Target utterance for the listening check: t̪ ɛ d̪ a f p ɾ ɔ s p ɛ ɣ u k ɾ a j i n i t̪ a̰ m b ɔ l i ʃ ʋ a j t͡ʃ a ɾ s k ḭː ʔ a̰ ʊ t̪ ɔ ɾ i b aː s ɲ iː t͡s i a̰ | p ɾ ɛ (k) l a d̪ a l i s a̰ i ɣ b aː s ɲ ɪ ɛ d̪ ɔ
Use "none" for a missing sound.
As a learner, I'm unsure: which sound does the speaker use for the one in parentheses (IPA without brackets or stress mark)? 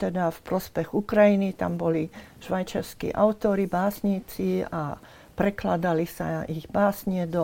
k